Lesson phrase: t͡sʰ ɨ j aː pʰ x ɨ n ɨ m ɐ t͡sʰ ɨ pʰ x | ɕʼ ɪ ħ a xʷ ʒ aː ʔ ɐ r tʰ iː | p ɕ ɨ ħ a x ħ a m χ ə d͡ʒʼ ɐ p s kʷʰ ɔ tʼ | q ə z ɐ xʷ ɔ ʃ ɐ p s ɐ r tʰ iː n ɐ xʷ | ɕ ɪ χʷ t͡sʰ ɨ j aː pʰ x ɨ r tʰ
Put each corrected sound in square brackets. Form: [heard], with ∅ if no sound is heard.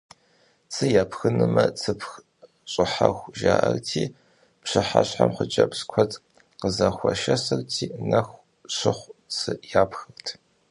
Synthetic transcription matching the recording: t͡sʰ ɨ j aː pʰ x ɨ n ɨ m ɐ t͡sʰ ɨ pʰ x | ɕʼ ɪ ħ a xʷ ʒ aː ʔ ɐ r tʰ iː | p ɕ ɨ ħ a [ɕ] ħ a m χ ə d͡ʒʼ ɐ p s kʷʰ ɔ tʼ | q ə z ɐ xʷ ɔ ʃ ɐ [∅] s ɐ r tʰ iː n ɐ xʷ | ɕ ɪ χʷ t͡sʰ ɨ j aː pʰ x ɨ r tʰ